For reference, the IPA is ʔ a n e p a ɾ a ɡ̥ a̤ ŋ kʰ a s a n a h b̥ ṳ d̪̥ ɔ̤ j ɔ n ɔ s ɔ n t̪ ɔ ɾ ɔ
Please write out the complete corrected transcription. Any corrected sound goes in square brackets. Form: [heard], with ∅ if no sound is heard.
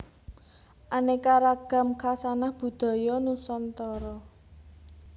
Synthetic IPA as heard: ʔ a n e [k] a ɾ a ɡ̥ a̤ [m] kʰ a s a n a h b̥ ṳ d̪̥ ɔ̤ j ɔ n [u] s ɔ n t̪ ɔ ɾ ɔ